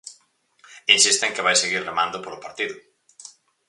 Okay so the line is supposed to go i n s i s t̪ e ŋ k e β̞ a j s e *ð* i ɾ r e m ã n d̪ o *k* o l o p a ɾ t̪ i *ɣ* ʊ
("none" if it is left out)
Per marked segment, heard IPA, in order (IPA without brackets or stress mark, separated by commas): ɣ, p, ð